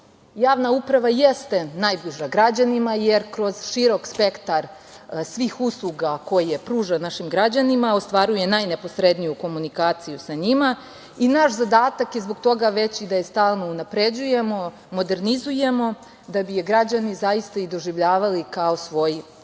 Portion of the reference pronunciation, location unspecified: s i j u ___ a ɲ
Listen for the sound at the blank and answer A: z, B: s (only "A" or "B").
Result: B